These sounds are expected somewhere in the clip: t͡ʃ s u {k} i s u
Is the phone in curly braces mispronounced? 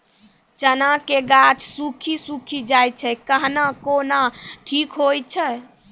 yes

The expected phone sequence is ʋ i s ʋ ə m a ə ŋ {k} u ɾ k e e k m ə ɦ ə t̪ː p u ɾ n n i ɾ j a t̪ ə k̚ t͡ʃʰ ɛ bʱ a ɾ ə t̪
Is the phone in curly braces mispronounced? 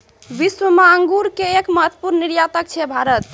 yes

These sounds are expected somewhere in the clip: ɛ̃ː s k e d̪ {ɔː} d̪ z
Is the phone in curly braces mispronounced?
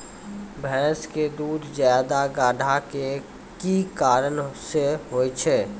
yes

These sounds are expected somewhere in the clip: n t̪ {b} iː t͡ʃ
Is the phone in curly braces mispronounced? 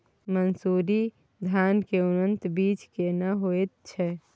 no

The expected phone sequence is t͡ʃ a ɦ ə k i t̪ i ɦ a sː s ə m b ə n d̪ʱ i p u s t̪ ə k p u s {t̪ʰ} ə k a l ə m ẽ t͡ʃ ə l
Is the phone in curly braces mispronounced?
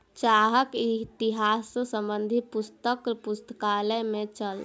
yes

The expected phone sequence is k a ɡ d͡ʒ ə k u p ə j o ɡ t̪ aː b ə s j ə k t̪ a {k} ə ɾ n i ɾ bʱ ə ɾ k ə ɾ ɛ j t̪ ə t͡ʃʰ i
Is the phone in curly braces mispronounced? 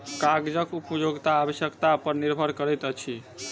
yes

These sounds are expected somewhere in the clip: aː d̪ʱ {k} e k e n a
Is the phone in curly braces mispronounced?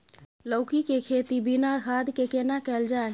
no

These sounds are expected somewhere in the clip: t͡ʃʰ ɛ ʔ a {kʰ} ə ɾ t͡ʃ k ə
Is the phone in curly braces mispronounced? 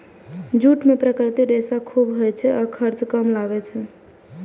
no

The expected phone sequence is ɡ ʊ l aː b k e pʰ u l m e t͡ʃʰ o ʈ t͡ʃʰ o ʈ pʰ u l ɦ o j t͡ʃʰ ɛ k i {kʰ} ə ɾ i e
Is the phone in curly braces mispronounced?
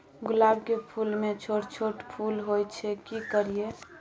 yes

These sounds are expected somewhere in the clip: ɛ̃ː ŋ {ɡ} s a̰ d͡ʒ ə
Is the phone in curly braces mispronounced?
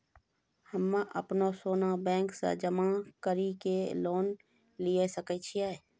yes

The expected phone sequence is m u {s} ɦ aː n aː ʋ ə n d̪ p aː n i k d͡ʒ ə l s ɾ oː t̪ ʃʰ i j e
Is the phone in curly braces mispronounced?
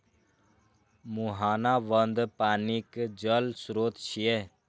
yes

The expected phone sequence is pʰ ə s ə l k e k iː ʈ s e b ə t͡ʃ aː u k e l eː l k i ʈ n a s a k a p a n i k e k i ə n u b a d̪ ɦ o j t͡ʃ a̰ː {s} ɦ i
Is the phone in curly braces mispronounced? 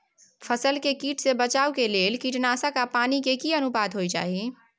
yes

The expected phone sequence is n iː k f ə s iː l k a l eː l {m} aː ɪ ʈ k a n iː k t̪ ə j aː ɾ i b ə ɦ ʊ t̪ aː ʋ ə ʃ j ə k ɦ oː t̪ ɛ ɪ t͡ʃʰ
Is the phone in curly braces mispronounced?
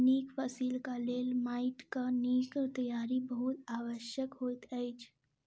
no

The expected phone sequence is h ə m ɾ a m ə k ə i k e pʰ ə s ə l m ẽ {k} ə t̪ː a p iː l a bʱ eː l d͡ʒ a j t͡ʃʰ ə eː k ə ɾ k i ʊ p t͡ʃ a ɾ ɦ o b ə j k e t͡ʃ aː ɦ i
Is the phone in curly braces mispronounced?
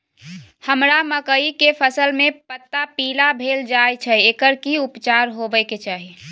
yes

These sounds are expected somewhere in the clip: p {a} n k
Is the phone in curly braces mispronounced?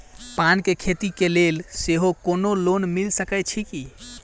no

